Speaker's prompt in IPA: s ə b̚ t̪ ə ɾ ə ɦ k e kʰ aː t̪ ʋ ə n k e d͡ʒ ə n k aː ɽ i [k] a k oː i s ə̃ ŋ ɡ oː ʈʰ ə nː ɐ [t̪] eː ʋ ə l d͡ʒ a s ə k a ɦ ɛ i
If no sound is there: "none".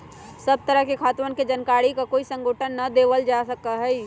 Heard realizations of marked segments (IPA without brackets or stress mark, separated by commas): k, d̪